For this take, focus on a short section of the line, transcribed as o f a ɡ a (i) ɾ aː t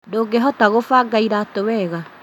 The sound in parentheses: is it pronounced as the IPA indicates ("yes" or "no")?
yes